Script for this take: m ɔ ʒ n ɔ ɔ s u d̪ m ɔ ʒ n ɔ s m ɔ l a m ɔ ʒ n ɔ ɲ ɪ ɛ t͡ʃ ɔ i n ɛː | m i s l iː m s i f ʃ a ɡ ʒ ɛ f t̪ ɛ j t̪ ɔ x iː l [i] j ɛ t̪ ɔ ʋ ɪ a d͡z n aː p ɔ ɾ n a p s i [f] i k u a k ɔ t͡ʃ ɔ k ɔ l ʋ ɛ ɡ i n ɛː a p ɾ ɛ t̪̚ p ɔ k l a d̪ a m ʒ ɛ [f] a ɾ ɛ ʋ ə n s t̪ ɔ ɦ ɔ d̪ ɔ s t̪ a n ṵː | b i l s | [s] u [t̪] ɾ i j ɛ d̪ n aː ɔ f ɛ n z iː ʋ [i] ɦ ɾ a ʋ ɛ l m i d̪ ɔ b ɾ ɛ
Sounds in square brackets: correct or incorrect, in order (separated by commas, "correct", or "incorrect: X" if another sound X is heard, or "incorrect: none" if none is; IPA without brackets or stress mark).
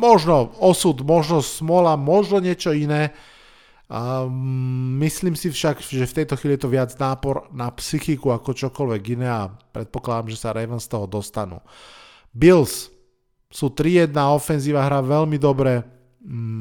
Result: correct, incorrect: x, incorrect: s, correct, correct, incorrect: a